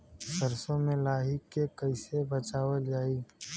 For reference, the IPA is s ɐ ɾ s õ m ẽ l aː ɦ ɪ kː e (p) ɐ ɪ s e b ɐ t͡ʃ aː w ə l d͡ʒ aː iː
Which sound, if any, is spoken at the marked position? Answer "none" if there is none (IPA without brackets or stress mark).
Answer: k